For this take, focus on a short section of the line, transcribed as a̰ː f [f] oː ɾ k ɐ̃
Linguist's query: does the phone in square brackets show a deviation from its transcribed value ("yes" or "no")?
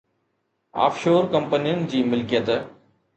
yes